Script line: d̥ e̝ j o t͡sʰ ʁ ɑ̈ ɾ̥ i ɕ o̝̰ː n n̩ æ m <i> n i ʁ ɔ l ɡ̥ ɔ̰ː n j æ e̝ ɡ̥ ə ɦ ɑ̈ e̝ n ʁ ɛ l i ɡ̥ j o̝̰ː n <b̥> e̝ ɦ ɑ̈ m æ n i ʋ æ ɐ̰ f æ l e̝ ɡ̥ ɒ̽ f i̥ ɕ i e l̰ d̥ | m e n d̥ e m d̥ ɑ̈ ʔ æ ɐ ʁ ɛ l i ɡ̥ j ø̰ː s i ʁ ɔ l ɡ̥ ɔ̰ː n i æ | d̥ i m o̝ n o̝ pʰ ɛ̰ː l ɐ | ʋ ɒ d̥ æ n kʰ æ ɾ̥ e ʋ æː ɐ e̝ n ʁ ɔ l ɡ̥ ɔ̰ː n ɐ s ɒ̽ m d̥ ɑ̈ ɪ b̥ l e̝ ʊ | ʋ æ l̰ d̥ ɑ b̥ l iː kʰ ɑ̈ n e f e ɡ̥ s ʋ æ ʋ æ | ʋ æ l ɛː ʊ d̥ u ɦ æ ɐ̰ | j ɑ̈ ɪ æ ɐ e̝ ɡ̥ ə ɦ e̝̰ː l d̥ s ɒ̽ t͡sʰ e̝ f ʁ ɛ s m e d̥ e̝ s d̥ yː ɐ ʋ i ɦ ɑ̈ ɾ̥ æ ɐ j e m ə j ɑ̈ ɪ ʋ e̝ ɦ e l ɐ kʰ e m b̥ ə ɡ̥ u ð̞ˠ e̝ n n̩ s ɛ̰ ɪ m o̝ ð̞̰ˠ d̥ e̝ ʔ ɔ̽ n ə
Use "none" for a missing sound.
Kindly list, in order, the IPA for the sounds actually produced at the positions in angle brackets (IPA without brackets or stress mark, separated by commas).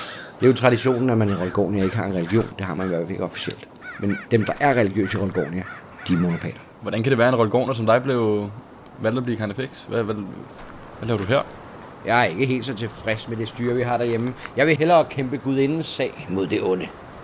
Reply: æ, d̥